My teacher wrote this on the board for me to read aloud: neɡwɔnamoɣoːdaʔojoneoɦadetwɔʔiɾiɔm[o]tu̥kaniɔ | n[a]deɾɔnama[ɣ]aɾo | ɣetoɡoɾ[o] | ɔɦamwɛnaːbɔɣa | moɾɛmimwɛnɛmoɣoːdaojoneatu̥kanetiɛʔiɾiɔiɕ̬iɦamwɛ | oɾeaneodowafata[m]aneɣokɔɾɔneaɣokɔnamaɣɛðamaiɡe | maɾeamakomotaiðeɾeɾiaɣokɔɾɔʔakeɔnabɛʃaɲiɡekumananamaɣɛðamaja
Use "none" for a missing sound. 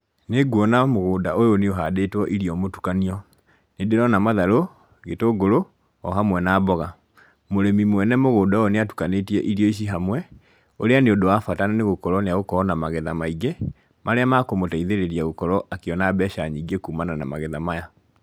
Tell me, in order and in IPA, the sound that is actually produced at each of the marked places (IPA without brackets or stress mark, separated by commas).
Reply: o, e, ð, o, n